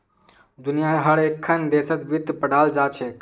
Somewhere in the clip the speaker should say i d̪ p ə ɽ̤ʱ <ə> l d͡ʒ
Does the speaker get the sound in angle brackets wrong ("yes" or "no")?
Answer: yes